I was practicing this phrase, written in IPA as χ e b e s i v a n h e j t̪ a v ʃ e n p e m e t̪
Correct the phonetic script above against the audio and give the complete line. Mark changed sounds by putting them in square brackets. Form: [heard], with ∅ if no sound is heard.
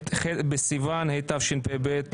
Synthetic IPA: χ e b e s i v a n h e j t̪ a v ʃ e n p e [b] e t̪